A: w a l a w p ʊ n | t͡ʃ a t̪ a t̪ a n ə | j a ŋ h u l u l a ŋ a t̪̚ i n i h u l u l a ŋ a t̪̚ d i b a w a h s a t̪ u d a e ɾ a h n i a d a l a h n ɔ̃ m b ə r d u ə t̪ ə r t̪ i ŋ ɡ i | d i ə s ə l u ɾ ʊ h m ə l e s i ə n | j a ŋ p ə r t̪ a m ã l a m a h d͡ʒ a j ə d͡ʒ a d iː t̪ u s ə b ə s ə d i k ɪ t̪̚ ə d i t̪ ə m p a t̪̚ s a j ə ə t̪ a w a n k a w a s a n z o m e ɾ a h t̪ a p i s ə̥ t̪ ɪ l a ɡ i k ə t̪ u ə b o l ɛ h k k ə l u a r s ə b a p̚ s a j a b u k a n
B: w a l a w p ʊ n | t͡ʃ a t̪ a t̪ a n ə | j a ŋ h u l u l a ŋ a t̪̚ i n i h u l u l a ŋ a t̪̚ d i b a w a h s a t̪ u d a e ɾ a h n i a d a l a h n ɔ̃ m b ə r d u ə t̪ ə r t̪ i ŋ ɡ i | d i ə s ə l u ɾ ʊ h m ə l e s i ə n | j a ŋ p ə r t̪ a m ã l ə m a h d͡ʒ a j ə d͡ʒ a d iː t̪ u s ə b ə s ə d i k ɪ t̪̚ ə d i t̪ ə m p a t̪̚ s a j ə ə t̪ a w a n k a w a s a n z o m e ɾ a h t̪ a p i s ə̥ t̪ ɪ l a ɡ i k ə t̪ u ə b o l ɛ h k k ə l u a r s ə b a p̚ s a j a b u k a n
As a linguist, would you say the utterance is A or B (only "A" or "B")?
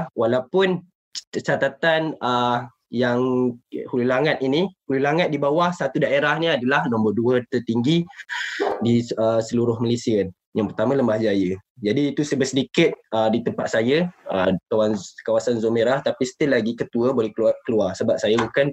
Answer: B